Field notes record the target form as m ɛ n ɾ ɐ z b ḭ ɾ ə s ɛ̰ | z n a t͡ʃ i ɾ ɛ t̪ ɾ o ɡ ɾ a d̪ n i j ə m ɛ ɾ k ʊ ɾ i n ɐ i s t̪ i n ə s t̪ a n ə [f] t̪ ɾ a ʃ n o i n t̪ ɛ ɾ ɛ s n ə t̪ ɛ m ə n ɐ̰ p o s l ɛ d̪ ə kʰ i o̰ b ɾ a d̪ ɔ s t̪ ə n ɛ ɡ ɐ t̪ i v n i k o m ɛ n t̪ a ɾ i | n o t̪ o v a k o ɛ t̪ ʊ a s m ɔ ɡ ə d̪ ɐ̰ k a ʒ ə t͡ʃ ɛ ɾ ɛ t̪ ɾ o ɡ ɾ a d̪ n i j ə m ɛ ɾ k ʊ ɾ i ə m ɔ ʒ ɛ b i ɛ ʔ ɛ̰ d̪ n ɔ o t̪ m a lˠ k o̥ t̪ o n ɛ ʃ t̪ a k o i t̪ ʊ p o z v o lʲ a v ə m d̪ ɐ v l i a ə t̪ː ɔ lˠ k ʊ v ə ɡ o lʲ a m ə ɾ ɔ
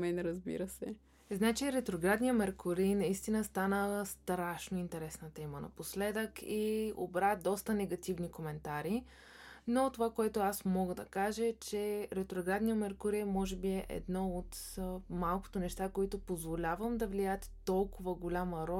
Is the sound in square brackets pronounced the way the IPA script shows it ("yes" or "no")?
no